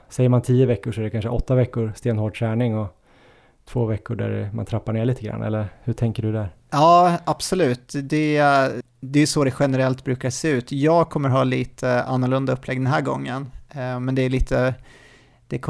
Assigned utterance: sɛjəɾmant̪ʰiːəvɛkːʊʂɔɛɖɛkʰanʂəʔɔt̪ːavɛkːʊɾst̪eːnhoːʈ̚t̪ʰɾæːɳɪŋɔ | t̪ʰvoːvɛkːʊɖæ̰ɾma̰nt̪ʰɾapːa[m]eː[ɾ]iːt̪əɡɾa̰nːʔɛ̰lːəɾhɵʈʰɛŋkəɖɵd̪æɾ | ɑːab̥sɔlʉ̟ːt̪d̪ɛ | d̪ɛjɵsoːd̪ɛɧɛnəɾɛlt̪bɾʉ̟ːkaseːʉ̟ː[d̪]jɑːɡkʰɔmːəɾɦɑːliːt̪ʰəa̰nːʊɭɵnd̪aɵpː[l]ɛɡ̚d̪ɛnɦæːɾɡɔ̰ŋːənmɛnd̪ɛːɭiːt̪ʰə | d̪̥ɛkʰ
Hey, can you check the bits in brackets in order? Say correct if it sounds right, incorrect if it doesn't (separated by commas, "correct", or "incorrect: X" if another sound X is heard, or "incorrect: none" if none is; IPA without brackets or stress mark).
incorrect: ɳ, incorrect: ɭ, incorrect: t̪, correct